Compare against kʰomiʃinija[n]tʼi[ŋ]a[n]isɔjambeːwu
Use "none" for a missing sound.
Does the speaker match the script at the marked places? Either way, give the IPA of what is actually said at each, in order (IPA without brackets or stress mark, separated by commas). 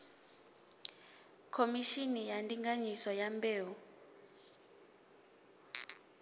n, ŋ, ɲ